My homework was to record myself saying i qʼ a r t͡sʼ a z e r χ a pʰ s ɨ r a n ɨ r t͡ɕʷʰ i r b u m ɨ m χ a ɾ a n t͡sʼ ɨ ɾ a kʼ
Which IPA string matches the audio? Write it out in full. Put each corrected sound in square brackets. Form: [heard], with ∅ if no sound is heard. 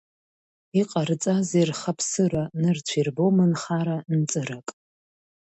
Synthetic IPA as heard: i qʼ a r t͡sʼ a z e r χ a pʰ s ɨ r a n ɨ r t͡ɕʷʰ i r b [o] m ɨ [n] χ a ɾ a n t͡sʼ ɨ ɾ a kʼ